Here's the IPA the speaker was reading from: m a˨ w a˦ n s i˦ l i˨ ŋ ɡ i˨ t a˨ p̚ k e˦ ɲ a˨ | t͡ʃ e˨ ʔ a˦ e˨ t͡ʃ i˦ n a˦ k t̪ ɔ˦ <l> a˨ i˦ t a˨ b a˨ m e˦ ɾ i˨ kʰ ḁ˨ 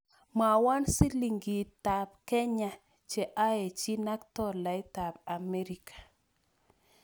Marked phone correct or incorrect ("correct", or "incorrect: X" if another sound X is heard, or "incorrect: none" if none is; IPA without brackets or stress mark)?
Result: correct